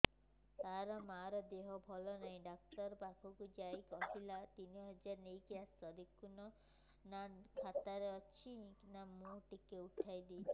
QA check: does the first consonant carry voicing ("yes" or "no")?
no